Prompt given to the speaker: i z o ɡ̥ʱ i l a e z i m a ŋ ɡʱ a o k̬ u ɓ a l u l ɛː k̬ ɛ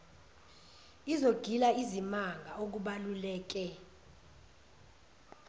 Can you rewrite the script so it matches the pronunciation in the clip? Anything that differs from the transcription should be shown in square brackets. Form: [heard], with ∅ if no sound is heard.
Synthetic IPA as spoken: i z o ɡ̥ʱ i l a [i] z i m a ŋ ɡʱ a o k̬ u ɓ a l u l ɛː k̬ ɛ